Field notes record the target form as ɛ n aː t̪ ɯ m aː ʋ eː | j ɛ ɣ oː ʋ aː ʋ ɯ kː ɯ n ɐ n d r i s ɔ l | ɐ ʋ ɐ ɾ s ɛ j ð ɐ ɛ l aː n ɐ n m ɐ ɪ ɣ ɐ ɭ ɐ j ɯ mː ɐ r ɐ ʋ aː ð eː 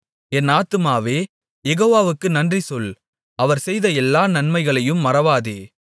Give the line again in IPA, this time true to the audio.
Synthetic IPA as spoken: ɛ n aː t̪ ɯ m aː ʋ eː | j ɛ ɣ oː ʋ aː ʋ ɯ kː ɯ n ɐ n d r i s ɔ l | ɐ ʋ ɐ ɾ s ɛ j ð ɐ ɛ lː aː n ɐ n m ɐ ɪ ɣ ɐ ɭ ɐ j ɯ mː ɐ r ɐ ʋ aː ð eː